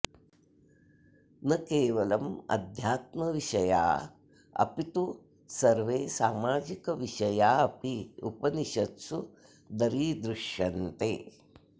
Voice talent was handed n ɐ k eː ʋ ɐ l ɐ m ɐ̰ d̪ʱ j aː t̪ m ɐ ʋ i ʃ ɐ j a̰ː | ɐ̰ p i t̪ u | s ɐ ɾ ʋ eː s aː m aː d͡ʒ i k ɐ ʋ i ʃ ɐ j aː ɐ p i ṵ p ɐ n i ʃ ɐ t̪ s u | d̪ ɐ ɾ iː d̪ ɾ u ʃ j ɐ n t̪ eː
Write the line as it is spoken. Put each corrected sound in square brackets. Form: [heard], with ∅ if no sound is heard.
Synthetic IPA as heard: n ɐ k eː ʋ ɐ l ɐ m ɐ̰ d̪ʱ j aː t̪ m ɐ ʋ i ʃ ɐ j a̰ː | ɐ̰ p i t̪ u | s ɐ ɾ ʋ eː s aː m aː d͡ʒ i k ɐ ʋ i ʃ ɐ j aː ɐ p i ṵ p ɐ n i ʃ ɐ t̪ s u | d̪ ɐ ɾ iː d̪ ɾ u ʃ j ɐ n t̪ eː